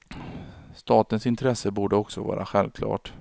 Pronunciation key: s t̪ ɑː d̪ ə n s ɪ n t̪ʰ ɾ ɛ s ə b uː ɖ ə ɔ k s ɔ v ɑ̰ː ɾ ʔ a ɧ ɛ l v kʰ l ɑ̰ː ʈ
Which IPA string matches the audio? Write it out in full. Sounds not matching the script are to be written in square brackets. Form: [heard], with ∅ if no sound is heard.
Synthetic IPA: s t̪ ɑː [t̪] ə n s ɪ n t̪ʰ ɾ ɛ s ə b uː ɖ ə ɔ k s ɔ v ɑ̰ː ɾ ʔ a ɧ ɛ l v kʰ l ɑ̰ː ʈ